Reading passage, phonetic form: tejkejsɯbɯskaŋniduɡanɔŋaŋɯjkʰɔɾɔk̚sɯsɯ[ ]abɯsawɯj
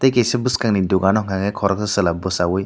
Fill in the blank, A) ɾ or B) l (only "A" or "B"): B